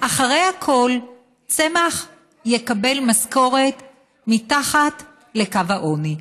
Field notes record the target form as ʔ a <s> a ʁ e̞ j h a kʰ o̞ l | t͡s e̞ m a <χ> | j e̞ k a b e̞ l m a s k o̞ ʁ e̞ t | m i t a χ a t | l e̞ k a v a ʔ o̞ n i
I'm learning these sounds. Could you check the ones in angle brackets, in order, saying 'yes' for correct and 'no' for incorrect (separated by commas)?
no, yes